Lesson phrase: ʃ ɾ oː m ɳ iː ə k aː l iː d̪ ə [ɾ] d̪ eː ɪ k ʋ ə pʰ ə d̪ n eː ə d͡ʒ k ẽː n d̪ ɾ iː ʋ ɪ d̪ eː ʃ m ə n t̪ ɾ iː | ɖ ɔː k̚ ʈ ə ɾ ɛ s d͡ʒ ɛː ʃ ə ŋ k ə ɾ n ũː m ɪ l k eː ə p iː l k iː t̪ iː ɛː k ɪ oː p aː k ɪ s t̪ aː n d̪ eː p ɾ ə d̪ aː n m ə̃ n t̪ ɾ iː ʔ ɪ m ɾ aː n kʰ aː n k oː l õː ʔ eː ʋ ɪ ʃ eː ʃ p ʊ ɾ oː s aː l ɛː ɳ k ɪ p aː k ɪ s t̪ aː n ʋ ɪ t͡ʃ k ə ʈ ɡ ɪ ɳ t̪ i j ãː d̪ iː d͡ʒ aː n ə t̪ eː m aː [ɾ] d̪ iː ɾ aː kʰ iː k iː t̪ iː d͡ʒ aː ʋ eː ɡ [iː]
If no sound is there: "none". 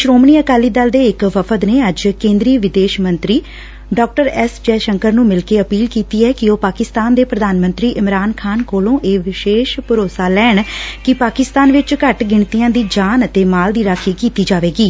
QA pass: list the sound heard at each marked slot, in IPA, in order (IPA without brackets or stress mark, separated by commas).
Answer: l, l, iː